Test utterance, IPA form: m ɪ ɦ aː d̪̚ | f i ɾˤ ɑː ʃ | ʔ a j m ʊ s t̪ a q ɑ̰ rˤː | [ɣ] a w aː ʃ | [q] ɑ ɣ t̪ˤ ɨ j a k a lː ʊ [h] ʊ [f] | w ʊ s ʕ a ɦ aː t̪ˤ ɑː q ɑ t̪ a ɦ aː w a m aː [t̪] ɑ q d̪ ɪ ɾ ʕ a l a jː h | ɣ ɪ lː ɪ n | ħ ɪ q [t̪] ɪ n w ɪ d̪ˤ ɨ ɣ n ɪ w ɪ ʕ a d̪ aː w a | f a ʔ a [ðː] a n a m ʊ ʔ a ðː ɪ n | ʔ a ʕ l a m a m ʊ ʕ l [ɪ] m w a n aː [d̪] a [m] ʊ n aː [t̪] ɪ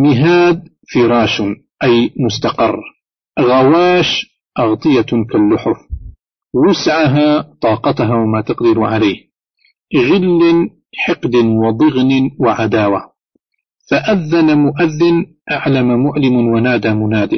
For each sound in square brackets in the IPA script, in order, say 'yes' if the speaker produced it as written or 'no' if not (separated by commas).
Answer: yes, no, no, yes, yes, no, yes, yes, yes, yes, no